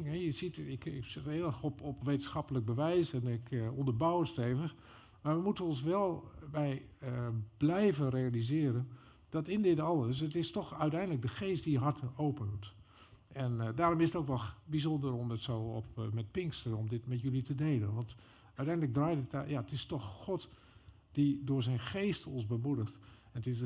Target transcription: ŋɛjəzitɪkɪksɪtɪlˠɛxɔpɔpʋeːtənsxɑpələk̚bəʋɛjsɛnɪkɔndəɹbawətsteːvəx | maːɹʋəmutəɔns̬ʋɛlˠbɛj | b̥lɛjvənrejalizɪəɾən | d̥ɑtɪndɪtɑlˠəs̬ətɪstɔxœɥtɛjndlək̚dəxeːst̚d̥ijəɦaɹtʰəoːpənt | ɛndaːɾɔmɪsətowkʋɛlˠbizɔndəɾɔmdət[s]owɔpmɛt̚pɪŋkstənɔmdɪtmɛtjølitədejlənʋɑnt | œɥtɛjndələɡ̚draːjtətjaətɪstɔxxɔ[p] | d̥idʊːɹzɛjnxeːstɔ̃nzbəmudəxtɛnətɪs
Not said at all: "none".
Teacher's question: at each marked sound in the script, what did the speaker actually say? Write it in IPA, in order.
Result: s, t

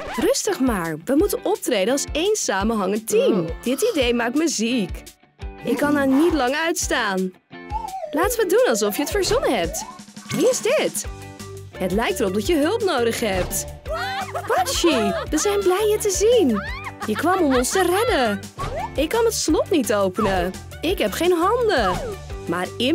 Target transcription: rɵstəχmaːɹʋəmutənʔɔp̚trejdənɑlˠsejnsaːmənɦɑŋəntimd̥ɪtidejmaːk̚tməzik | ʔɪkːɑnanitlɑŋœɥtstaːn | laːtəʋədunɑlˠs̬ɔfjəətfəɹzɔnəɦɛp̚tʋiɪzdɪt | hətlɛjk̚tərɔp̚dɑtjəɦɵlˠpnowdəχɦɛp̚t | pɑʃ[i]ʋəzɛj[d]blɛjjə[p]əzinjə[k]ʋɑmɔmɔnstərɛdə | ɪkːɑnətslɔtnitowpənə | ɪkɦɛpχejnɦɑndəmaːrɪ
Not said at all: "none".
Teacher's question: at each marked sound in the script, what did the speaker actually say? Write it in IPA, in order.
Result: i, n, t, k

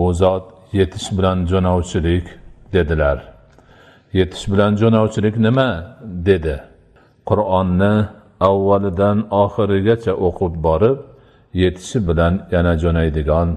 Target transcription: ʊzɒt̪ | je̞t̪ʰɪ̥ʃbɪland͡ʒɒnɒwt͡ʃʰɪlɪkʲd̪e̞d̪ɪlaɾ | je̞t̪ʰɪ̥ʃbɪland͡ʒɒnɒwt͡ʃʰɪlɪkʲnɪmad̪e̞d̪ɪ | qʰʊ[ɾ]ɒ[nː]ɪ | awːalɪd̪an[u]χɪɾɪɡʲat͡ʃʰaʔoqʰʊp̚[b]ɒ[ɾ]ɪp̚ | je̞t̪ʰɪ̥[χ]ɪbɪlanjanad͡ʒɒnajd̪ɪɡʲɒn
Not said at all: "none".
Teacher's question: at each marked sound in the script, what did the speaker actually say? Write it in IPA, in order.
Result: ɾ, nː, ɒ, b, ɾ, ʃ

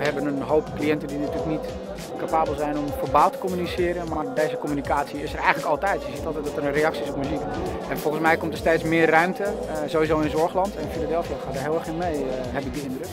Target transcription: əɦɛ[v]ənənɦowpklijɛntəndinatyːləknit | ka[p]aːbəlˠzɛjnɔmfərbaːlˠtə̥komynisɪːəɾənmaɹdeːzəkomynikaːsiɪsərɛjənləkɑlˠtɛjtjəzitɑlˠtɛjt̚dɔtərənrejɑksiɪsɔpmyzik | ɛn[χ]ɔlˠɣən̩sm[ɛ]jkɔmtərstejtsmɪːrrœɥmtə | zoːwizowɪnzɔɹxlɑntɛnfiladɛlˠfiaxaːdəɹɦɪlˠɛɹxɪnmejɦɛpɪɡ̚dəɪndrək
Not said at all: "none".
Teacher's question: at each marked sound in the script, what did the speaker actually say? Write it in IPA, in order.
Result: b, p, f, ɛ

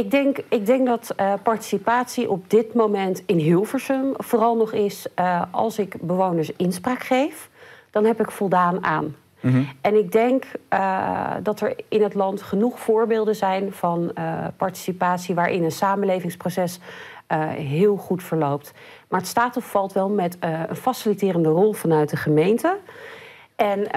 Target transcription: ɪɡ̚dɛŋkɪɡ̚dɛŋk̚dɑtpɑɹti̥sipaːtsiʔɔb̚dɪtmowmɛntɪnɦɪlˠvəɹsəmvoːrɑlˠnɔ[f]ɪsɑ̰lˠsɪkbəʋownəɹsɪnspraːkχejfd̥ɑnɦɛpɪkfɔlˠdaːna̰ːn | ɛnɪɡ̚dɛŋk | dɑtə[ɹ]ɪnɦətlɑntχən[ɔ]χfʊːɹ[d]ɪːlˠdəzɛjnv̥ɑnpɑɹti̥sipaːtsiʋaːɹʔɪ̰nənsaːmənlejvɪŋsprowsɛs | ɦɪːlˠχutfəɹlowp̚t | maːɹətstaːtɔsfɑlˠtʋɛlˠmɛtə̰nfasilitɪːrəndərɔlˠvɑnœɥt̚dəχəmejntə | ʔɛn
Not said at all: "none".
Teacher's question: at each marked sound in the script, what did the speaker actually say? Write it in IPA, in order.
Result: χ, ɹ, u, b

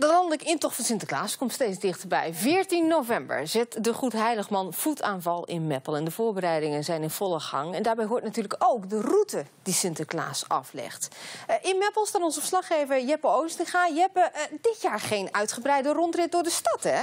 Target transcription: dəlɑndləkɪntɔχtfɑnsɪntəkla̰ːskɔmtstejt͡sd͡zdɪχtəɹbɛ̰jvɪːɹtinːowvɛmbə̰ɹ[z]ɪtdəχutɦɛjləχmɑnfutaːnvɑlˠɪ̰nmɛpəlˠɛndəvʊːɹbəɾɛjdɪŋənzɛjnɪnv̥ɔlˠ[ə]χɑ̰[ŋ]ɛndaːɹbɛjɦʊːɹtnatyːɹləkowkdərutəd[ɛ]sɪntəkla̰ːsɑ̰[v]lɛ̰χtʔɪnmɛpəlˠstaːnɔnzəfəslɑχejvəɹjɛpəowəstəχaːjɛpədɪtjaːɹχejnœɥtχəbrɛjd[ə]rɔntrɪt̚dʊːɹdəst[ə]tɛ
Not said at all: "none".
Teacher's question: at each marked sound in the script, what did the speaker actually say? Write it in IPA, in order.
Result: z, ə, ŋ, i, f, ə, ɑ

